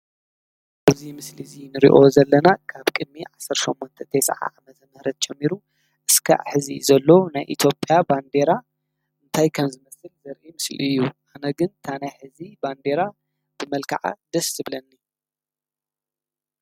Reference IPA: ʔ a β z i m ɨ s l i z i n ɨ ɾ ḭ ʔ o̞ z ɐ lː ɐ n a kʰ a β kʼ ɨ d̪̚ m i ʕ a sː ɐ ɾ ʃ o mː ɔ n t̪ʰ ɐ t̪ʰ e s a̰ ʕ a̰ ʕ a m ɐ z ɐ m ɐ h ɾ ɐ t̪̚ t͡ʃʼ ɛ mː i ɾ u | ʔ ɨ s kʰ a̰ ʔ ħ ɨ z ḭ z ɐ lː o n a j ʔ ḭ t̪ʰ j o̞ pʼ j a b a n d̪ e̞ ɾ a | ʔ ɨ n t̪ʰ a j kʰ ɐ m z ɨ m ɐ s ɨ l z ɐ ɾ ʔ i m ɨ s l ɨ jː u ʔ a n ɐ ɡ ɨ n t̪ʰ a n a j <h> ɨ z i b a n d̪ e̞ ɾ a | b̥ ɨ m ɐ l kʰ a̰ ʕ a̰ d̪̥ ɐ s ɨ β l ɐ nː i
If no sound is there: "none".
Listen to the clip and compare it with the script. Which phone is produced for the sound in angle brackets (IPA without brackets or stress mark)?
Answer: ħ